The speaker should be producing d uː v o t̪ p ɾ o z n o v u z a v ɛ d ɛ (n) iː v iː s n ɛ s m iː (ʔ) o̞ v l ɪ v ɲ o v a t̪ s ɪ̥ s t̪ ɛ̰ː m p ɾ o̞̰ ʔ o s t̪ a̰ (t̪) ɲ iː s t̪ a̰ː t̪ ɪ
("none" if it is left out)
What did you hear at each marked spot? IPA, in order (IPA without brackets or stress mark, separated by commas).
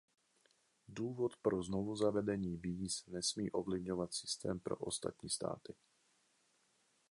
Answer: ɲ, ʔ, t̪